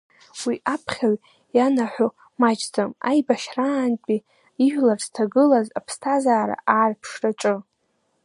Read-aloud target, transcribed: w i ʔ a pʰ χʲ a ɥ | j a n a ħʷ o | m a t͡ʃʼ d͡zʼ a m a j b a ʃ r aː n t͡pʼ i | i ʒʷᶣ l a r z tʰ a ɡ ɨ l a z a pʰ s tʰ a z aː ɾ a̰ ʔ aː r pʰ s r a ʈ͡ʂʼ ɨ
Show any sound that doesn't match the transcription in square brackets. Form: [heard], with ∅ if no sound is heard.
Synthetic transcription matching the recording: w i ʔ a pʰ χʲ a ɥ | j a n a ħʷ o | m a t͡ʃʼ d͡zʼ a m a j b a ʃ r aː n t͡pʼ i | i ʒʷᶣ l a r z tʰ a ɡ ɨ l a z a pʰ s tʰ a z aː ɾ a̰ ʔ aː r pʰ [ʂ] r a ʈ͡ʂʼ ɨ